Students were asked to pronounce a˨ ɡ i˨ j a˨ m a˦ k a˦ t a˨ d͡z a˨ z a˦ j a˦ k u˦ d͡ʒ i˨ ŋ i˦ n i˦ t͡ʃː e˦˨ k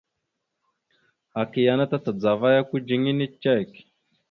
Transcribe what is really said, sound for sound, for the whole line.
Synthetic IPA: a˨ k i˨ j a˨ n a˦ t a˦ t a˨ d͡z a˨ v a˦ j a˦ k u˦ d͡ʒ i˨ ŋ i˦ n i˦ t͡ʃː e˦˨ k